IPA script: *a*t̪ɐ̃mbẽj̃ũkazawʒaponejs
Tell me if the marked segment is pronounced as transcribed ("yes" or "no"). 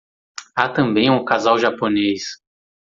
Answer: yes